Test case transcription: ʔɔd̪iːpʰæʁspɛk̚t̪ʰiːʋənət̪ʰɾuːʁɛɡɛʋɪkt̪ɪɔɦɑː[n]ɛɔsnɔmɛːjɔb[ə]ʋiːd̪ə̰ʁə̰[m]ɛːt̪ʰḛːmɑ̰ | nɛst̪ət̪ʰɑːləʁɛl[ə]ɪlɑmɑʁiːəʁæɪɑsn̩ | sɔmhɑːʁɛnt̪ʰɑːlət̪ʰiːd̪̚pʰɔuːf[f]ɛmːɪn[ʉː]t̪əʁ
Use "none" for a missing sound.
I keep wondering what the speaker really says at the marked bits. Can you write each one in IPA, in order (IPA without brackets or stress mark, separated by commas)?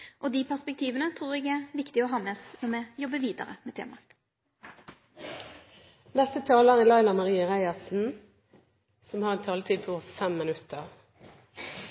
m, ə, m, ɑ, f, ʉ